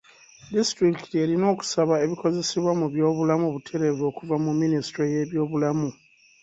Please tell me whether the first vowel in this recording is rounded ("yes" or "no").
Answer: no